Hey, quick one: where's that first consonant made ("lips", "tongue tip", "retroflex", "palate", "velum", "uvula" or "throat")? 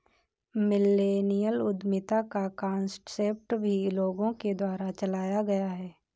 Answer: lips